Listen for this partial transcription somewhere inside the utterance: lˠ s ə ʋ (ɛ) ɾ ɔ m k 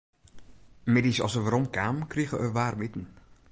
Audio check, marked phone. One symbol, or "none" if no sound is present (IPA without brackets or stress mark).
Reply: a